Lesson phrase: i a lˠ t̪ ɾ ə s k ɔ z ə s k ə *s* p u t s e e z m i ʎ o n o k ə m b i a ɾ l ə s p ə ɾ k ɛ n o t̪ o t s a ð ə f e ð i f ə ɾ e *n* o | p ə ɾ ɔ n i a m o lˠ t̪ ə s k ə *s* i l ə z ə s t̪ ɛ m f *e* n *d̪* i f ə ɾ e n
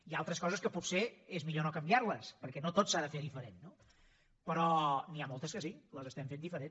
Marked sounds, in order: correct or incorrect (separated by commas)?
incorrect, incorrect, correct, correct, correct